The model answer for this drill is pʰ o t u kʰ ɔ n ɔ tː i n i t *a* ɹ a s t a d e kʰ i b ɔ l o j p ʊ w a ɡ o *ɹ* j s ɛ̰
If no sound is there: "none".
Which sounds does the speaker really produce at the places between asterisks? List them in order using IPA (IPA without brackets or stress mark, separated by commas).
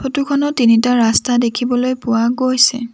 a, none